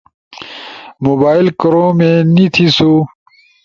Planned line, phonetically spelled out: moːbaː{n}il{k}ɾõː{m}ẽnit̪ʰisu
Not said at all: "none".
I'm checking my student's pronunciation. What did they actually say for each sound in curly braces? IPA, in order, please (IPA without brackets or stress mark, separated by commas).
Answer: none, k, m